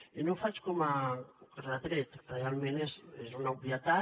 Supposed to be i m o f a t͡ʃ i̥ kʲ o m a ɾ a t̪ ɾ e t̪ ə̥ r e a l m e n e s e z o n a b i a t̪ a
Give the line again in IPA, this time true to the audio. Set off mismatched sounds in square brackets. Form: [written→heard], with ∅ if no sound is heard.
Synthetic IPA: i [m→n] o f a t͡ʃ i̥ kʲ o m a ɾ a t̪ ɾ e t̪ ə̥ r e a l m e n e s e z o n a b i a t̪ a